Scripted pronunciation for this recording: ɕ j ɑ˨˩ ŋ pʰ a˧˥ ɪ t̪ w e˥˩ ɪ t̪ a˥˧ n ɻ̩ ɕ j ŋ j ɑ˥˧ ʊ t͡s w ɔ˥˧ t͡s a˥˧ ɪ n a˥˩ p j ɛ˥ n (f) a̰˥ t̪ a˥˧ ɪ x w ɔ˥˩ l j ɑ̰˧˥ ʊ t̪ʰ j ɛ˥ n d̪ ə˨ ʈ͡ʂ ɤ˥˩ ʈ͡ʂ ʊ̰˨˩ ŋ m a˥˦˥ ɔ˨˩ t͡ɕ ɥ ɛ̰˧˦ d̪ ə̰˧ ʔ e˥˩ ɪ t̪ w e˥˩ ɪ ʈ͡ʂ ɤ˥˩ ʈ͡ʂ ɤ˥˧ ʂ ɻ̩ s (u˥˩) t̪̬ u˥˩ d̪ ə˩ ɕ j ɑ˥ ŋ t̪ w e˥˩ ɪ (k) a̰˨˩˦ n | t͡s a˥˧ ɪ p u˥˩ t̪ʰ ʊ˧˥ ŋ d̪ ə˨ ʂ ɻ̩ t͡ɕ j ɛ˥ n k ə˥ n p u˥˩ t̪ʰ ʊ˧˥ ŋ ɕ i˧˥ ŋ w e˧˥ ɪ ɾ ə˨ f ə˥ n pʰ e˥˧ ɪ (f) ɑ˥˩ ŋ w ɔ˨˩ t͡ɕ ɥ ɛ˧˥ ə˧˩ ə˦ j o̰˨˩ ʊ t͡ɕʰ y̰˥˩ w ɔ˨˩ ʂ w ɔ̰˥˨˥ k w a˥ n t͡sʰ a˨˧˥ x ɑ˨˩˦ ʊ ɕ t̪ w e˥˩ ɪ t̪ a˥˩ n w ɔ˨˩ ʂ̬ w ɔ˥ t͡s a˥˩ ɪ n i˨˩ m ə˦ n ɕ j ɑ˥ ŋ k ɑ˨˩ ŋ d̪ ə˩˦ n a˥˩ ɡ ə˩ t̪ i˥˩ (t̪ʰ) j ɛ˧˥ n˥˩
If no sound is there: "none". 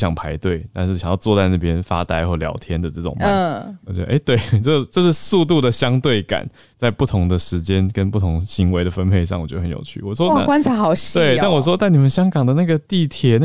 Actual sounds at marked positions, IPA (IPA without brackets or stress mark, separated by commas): f, u˥˧, k, ʂ, t̪ʰ